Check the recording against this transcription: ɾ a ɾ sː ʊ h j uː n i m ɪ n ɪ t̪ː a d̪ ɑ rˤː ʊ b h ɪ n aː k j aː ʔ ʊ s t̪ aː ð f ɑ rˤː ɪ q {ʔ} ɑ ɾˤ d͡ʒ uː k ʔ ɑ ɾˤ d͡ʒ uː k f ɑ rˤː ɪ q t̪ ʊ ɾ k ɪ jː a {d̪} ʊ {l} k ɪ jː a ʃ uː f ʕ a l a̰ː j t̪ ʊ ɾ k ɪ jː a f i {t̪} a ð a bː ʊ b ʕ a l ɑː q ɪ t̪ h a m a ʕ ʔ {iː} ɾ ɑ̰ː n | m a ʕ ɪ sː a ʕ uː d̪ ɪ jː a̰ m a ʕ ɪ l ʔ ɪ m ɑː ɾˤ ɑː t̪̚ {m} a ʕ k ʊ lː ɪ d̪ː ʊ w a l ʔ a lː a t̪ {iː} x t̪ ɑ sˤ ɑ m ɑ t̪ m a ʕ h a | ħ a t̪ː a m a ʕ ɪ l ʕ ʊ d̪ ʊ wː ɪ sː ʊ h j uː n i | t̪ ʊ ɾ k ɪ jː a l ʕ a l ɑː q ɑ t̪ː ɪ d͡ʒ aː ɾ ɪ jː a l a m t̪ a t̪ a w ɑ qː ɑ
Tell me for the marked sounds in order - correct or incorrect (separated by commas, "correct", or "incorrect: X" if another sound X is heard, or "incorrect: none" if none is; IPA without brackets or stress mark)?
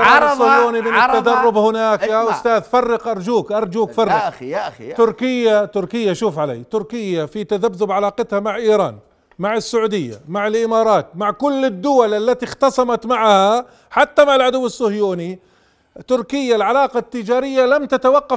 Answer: correct, incorrect: t̪, incorrect: ɾ, correct, correct, correct, incorrect: i